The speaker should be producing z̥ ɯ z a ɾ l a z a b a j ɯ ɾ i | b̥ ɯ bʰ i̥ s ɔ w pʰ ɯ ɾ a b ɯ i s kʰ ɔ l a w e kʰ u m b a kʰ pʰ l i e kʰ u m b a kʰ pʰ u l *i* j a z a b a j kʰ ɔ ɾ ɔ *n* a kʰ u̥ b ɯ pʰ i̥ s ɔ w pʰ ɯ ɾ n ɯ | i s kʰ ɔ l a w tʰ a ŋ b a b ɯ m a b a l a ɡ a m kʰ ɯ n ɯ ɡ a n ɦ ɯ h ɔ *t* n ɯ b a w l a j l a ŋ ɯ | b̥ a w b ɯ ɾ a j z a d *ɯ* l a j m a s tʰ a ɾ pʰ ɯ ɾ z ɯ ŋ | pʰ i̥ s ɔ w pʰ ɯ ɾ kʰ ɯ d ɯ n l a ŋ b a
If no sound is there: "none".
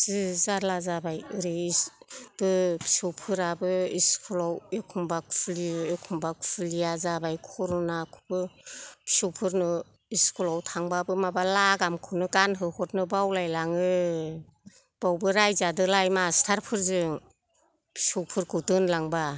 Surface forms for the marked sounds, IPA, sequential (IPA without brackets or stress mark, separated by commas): i, n, t, ɯ